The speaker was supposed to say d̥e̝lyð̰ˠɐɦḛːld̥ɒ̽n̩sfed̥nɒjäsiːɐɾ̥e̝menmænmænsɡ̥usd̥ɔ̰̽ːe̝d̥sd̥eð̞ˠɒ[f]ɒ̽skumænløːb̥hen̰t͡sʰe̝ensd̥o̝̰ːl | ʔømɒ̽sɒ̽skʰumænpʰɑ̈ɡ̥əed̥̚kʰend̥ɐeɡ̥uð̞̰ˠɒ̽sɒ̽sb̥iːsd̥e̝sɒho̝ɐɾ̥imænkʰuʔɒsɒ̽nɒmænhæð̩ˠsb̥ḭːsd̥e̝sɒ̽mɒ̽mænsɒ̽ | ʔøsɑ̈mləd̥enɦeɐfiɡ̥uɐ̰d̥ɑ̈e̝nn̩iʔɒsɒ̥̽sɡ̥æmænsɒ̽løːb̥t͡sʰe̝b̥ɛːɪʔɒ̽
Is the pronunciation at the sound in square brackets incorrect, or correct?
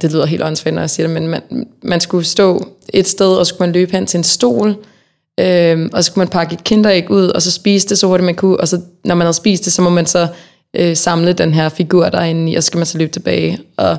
incorrect